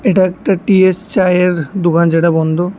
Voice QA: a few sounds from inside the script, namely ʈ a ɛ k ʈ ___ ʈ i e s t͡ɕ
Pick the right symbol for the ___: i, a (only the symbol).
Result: a